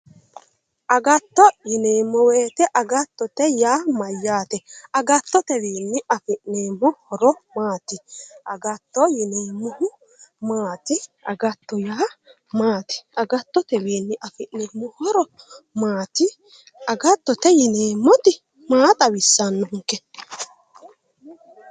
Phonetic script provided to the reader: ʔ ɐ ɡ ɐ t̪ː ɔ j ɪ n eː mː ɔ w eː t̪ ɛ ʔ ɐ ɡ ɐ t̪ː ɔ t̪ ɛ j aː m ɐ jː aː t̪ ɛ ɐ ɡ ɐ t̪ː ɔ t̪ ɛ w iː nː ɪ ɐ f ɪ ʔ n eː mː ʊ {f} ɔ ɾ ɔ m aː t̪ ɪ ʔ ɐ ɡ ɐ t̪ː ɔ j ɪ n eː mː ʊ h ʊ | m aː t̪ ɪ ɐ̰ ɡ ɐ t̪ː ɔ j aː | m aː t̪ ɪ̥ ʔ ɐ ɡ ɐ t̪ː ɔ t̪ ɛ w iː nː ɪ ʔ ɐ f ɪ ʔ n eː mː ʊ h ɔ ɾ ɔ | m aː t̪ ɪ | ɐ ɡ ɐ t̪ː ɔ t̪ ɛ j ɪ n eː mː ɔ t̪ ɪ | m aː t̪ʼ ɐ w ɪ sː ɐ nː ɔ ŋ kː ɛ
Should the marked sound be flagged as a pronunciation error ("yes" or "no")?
yes